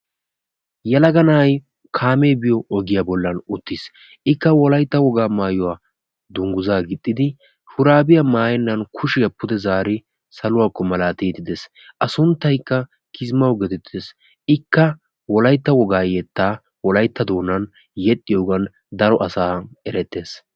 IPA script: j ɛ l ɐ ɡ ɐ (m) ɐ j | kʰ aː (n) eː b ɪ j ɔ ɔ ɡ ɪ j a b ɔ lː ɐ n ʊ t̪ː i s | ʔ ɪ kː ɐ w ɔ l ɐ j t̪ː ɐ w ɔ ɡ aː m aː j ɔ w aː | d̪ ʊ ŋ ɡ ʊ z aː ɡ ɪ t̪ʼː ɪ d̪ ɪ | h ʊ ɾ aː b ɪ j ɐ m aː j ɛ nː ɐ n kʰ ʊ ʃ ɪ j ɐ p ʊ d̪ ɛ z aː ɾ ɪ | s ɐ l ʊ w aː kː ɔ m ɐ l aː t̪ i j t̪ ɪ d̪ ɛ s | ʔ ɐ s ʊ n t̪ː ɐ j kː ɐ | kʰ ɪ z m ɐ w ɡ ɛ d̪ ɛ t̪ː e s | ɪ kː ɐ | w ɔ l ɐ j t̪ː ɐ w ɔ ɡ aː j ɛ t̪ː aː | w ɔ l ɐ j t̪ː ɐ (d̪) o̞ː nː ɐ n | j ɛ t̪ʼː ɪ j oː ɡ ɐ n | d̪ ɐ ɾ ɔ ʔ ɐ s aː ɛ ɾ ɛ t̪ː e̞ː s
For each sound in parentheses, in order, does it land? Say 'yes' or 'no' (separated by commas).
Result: no, no, yes